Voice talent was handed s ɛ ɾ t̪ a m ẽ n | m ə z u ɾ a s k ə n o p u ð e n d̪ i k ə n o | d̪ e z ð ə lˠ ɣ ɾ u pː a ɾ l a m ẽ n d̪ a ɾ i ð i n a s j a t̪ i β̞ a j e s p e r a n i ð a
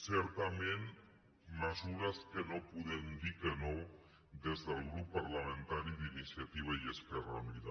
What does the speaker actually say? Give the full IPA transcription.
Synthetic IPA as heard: s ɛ ɾ t̪ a m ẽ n | m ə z u ɾ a s k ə n o p u ð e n d̪ i k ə n o | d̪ e z ð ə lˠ ɣ ɾ u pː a ɾ l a m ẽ n t̪ a ɾ i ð i n i s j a t̪ i β̞ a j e s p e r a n i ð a